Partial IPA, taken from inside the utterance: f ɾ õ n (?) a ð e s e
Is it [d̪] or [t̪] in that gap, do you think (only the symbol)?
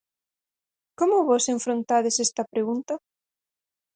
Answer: t̪